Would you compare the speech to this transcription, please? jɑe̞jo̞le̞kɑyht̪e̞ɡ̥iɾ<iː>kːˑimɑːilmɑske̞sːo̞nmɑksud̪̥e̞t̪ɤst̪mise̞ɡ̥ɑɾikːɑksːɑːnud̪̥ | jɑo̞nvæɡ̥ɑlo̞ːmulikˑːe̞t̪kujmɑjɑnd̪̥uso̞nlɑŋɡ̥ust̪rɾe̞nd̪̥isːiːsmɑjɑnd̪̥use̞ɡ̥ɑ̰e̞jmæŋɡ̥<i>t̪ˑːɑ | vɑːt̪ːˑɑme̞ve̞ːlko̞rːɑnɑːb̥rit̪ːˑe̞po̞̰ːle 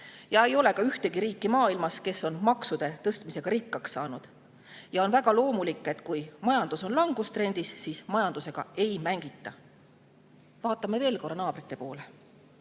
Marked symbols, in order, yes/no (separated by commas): yes, yes